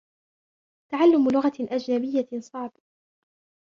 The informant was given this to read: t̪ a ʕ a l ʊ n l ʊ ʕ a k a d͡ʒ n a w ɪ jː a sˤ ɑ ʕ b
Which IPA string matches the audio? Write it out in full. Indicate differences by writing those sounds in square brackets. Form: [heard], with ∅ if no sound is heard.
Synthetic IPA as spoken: t̪ a ʕ a [lː] ʊ [m] l ʊ [ɣ] a [ʔ] a d͡ʒ n a [b] ɪ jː a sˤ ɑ ʕ b